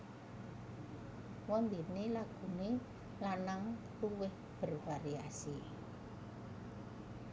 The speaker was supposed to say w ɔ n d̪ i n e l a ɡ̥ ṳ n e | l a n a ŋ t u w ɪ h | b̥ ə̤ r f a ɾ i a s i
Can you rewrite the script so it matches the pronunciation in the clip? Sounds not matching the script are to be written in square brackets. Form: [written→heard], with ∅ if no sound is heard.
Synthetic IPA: w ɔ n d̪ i n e l a ɡ̥ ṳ n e | l a n a ŋ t u w ɪ h | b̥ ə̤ r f a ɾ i a s i